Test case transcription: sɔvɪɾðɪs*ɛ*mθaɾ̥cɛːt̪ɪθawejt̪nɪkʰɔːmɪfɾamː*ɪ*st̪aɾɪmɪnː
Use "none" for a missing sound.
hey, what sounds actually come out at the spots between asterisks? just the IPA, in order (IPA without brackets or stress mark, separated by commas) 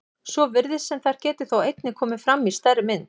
ɛ, i